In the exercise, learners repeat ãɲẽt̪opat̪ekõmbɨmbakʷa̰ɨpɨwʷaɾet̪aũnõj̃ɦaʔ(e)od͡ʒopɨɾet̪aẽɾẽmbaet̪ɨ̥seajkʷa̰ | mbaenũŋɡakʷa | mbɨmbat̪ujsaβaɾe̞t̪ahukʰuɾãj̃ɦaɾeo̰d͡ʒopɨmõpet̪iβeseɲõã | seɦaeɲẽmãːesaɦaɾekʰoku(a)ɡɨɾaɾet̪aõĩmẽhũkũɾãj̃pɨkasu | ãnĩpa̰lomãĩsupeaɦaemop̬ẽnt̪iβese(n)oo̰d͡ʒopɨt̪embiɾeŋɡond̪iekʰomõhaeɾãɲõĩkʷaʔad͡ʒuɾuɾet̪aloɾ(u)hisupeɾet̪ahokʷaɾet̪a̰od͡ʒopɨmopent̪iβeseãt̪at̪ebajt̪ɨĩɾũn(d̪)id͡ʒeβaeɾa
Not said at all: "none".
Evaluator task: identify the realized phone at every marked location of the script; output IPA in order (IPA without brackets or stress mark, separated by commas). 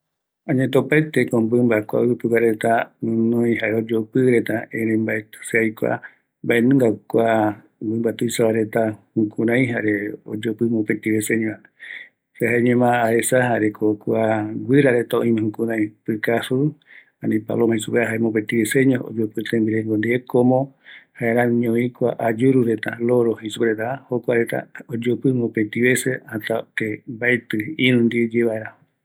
e, a, ɲ, o, d̪